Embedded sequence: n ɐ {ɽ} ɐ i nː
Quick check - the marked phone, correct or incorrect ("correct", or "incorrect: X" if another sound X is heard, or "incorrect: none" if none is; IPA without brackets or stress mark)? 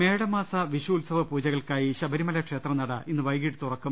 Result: correct